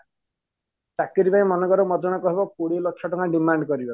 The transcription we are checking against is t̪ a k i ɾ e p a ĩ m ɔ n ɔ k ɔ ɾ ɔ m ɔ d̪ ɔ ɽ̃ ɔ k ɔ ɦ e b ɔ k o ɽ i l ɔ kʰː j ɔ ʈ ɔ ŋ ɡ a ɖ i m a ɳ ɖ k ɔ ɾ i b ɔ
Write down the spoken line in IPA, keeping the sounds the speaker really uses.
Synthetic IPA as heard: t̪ a k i ɾ i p a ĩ m ɔ n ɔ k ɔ ɾ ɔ m ɔ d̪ ɔ ɽ̃ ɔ k ɔ ɦ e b ɔ k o ɽ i l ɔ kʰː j ɔ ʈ ɔ ŋ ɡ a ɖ i m a ɳ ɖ k ɔ ɾ i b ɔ